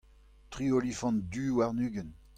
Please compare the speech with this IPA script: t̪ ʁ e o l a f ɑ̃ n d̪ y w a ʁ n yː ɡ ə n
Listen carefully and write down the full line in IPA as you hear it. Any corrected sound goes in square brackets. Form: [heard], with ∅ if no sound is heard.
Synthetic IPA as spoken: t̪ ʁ [i] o l [i] f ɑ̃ n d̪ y w a ʁ n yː ɡ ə n